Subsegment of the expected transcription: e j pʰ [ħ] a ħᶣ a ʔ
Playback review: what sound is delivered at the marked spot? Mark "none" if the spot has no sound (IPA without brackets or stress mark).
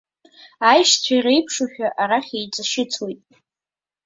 ʂ